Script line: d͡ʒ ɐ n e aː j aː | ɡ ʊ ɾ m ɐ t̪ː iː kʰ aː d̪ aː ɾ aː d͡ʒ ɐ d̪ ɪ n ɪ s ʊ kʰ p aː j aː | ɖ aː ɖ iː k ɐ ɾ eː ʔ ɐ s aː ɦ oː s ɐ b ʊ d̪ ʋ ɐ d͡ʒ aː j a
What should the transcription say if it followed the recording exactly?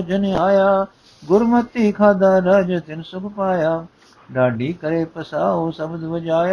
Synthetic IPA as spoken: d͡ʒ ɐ n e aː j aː | ɡ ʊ ɾ m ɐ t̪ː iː kʰ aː d̪ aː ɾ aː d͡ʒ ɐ t̪ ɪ n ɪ s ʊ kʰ p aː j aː | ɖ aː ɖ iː k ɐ ɾ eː p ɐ s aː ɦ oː s ɐ b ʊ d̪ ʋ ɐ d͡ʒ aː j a